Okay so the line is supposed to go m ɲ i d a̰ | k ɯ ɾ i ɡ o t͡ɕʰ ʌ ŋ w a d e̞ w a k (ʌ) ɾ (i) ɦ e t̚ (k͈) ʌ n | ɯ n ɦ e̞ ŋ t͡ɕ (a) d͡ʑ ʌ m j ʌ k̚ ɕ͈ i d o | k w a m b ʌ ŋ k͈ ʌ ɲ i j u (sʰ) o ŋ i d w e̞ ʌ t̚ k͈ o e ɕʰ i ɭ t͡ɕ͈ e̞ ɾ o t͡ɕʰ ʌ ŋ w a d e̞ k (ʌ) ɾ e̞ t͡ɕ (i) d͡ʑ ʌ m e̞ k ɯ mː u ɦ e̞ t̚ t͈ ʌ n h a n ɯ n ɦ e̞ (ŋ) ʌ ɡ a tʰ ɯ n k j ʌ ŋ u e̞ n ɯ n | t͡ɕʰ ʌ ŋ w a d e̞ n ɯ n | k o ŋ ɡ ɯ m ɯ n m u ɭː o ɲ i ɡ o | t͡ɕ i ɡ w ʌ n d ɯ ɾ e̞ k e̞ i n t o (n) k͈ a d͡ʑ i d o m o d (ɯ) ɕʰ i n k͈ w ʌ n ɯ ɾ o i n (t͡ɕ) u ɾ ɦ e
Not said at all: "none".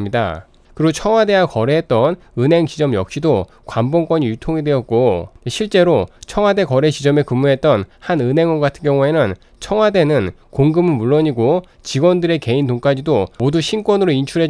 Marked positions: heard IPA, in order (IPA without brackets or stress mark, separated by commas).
ʌ, e, t͈, i, tʰ, ʌ, i, ŋ, ŋ, u, t͡ɕʰ